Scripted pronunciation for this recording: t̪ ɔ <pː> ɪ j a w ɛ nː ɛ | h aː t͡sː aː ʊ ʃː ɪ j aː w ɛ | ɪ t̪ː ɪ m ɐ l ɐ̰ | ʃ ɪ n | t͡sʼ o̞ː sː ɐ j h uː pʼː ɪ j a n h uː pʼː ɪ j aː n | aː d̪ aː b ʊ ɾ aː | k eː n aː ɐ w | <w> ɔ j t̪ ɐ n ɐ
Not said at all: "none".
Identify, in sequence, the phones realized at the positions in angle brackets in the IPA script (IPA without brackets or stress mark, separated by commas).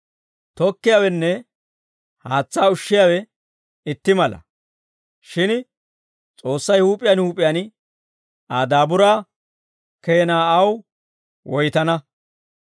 kː, w